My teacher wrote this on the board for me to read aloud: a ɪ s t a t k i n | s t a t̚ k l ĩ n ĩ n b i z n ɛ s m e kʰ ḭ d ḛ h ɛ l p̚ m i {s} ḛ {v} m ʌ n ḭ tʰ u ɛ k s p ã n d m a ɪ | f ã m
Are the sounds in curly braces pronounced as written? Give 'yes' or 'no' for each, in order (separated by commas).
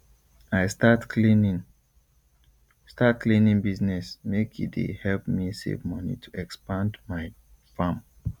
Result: yes, yes